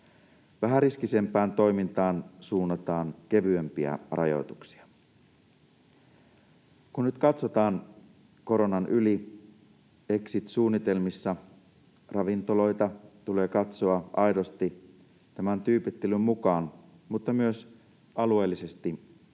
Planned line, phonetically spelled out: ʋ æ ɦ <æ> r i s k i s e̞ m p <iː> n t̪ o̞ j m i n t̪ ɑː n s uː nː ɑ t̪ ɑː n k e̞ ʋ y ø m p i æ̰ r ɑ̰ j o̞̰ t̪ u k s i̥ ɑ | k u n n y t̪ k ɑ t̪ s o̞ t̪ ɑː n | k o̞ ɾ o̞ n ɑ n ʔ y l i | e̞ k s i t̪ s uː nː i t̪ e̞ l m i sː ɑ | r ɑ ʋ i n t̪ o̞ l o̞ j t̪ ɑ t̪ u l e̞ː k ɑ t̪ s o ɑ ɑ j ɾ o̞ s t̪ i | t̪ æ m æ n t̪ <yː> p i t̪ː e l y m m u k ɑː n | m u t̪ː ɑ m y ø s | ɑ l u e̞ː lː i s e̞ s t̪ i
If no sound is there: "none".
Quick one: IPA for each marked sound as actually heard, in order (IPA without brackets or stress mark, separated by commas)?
æ, æː, yː